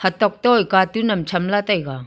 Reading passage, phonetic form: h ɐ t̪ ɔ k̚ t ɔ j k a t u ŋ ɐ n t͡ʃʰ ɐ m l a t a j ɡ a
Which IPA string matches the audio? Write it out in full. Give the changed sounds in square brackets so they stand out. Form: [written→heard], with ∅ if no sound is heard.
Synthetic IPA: h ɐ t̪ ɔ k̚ t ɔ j k a t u [ŋ→n] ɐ [n→m] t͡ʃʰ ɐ m l a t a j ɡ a